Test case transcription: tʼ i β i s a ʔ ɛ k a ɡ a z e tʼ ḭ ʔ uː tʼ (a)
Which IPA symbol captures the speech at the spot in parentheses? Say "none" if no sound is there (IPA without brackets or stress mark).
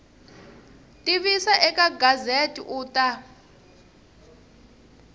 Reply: a